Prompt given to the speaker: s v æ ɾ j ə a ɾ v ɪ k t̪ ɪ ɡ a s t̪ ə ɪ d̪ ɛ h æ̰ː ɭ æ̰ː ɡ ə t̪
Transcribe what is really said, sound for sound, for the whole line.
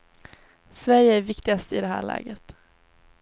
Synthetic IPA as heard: s v æ ɾ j ə æ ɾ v ɪ k t̪ ɪ ɡ a s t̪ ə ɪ d̪ ɛ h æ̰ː ɭ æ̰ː ɡ ə t̪